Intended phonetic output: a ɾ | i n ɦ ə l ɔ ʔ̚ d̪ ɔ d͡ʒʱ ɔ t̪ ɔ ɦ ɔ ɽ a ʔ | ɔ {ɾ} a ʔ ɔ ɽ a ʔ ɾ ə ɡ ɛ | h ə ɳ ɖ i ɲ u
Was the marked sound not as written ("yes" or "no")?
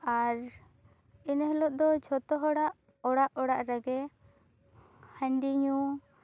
yes